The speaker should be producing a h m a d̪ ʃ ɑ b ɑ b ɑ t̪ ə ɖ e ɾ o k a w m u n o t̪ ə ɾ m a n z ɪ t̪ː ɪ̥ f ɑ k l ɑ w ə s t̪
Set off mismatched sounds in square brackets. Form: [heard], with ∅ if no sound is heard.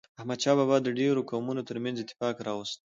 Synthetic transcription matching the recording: a h m a d̪ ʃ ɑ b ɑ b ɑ [d̪] ə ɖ e ɾ o k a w m u n o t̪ ə ɾ m a n z ɪ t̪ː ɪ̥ f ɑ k [ɾ] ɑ w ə s t̪